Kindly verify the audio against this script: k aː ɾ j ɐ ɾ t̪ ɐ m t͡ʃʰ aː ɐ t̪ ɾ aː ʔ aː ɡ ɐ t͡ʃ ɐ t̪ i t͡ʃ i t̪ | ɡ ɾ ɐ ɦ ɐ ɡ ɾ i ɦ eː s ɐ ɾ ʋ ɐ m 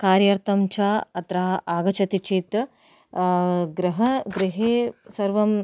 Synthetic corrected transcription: k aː ɾ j ɐ ɾ t̪ ɐ m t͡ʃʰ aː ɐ t̪ ɾ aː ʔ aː ɡ ɐ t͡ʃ ɐ t̪ i t͡ʃ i t̪ | ɡ ɾ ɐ ɦ ɐ ɡ ɾ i ɦ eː s ɐ ɾ ʋ ɐ m